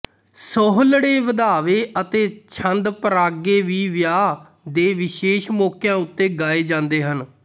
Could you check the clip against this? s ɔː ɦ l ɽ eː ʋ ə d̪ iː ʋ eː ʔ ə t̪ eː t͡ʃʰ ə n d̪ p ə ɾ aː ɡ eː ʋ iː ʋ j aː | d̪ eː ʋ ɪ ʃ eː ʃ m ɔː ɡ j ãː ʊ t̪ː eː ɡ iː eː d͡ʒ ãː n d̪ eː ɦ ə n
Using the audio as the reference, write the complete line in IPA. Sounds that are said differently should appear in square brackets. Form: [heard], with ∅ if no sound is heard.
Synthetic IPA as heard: s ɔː ɦ l ɽ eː ʋ ə d̪ [aː] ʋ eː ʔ ə t̪ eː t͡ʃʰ ə n d̪ p ə ɾ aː ɡ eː ʋ iː ʋ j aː | d̪ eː ʋ ɪ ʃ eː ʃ m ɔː [k] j ãː ʊ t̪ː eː ɡ [aː] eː d͡ʒ ãː n d̪ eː ɦ ə n